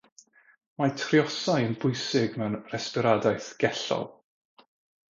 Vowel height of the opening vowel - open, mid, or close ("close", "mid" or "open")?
open